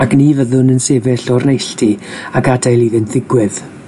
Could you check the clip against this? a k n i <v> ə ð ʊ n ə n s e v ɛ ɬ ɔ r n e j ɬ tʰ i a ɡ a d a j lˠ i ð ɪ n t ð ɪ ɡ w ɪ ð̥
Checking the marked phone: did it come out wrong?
no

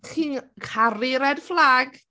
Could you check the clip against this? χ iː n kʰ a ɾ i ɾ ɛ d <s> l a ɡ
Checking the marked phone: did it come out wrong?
yes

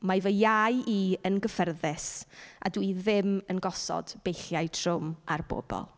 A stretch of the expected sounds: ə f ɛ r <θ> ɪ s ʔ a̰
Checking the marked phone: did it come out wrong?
yes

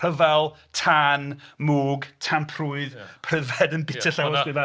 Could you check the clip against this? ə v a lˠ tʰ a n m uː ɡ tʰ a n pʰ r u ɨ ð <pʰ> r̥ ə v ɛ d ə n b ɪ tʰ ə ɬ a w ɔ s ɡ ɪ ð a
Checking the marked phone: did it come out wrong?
no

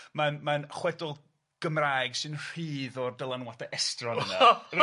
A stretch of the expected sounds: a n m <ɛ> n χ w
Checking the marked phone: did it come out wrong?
yes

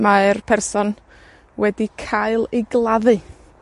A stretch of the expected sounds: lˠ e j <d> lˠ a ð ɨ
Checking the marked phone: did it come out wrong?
yes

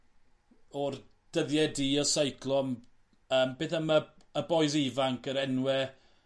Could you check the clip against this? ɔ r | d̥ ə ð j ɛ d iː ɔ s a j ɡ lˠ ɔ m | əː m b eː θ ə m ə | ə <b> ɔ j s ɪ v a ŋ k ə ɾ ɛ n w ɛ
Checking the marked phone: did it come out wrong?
no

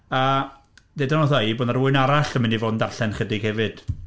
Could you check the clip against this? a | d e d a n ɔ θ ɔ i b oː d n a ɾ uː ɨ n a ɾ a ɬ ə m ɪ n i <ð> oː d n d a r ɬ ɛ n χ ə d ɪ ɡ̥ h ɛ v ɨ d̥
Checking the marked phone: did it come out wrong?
yes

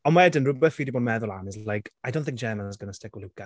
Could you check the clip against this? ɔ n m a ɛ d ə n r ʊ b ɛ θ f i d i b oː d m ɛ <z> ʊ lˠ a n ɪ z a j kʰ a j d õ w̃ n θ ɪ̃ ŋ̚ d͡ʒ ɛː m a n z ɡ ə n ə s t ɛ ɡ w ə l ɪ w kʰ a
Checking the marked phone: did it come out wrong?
yes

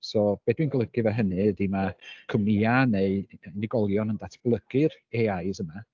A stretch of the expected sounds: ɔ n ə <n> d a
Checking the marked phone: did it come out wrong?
no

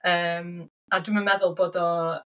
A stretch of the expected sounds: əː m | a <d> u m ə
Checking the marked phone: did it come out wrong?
no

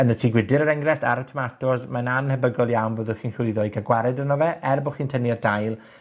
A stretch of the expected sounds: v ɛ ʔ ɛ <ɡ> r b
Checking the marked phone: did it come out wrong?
yes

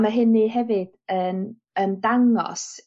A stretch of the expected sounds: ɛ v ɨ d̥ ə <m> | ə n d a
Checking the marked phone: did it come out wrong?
yes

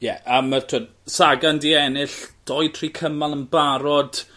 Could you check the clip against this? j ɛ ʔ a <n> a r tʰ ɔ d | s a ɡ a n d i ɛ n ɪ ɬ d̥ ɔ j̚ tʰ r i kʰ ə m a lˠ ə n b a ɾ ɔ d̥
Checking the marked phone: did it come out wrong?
yes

